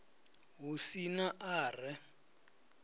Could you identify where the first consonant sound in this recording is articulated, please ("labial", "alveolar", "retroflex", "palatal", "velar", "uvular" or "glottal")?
glottal